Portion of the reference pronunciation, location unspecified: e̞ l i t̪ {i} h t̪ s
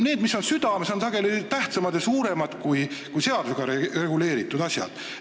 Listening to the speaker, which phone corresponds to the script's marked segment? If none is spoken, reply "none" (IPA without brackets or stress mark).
æ